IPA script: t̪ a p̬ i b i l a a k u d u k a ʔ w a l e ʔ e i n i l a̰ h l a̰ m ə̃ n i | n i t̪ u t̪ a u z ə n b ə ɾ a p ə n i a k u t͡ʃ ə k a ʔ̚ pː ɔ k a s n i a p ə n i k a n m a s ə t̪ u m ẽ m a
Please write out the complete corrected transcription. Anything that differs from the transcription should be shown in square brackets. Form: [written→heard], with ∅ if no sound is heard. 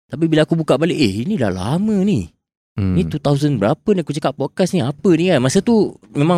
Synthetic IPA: t̪ a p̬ i b i l a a k u [d→b] u k a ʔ [w→b] a l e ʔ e i n i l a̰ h l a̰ m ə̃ n i | n i t̪ u t̪ a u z ə n b ə ɾ a p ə n i a k u t͡ʃ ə k a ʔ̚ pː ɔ k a s n i a p ə n i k a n m a s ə t̪ u m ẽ m a